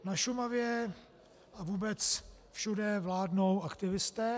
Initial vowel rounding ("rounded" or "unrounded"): unrounded